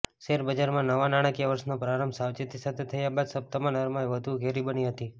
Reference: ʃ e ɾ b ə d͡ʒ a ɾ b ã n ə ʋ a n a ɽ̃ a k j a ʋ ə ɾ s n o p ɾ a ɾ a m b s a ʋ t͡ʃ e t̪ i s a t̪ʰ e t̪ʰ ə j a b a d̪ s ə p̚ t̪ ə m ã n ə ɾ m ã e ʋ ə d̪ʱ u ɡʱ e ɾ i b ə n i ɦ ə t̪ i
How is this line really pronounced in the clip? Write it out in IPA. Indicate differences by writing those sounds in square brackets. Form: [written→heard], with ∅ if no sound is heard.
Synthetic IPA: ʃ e ɾ b ə d͡ʒ a ɾ [b→m] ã n ə ʋ a n a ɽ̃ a k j a ʋ ə ɾ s n o p ɾ a ɾ [a→ə] m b s a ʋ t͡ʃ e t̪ i s a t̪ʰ e t̪ʰ ə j a b a d̪ s ə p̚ t̪ ə m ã n ə ɾ m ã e ʋ ə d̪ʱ u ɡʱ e ɾ i b ə n i ɦ ə t̪ i

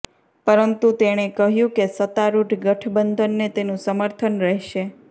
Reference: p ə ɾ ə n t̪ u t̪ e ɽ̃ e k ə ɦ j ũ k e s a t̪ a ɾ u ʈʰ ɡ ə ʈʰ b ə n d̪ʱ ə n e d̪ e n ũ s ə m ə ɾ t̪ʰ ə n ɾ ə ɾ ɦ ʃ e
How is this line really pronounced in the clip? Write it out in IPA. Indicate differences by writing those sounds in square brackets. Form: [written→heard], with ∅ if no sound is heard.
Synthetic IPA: p ə ɾ ə n t̪ u t̪ e ɽ̃ e k ə ɦ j ũ k e s [a→ə] t̪ a ɾ u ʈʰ ɡ ə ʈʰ b ə n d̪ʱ ə [n→nː] e [d̪→t̪] e n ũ s ə m ə ɾ t̪ʰ ə n ɾ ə [ɾ→∅] ɦ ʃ e

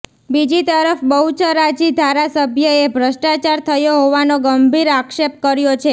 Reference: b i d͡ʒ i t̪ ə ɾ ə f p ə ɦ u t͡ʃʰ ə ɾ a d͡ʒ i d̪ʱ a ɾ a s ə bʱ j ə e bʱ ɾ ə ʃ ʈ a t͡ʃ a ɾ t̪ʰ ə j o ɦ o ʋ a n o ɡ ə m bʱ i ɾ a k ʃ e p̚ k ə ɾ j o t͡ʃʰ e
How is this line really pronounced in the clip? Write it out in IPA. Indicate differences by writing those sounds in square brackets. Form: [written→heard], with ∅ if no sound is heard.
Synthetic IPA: b i d͡ʒ i t̪ ə ɾ ə f [p→b] ə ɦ u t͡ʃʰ ə ɾ a d͡ʒ i d̪ʱ a ɾ a s ə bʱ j ə e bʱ ɾ ə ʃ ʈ a t͡ʃ a ɾ t̪ʰ ə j o ɦ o ʋ a n o ɡ ə m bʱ i ɾ a k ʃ e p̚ k ə ɾ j o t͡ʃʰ e

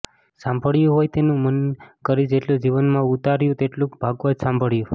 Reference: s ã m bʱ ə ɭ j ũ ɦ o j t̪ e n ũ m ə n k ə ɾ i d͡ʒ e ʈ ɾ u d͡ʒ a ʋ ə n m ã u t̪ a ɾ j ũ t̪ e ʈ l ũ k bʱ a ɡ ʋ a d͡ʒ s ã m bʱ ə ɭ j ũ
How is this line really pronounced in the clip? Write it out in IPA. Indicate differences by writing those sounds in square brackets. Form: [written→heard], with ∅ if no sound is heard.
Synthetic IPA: s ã m bʱ ə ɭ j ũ ɦ o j t̪ e n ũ m ə n k ə ɾ i d͡ʒ e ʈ [ɾ→l] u d͡ʒ [a→i] ʋ ə n m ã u t̪ a ɾ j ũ t̪ e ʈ l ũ k bʱ a ɡ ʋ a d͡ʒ s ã m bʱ ə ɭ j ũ

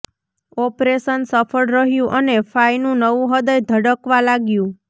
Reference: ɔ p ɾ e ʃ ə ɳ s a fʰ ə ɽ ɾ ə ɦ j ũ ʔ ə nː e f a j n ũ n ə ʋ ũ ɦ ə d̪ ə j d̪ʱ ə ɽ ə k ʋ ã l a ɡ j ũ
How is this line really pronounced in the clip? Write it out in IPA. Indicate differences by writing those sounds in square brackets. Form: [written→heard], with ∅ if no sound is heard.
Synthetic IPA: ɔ p ɾ e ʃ ə [ɳ→n] s [a→ə] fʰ ə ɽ ɾ ə ɦ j ũ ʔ ə [nː→n] e f a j n ũ n ə ʋ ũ ɦ ə d̪ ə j d̪ʱ ə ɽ ə k ʋ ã l a ɡ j ũ

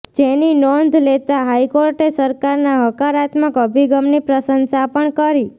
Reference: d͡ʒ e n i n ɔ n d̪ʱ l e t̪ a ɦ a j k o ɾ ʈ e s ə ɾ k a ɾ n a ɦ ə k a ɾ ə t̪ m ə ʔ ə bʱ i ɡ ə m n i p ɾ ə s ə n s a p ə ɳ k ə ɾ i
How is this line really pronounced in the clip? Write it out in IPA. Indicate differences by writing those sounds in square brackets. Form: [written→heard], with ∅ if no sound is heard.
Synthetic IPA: d͡ʒ e n i n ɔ n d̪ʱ l e t̪ a ɦ a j k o ɾ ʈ e s ə ɾ k a ɾ n a ɦ ə k a ɾ [ə→a] t̪ m ə [ʔ→k] ə bʱ i ɡ ə m n i p ɾ ə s ə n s a p ə ɳ k ə ɾ i

